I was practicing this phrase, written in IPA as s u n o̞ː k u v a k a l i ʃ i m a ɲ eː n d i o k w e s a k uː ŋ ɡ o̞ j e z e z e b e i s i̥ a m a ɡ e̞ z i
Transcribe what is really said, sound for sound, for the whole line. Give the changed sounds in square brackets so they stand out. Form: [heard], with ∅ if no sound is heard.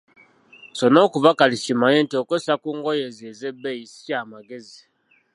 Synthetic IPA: s [o] n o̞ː k u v a k a l i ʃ i m a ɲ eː n [t] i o k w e s a k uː ŋ ɡ o̞ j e z e z e b e i s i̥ a m a ɡ e̞ z i